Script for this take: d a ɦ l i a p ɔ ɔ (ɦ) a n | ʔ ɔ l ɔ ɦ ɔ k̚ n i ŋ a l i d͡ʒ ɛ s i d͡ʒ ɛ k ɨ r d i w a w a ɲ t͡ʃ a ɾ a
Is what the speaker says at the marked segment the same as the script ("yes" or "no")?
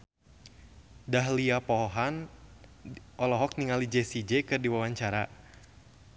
yes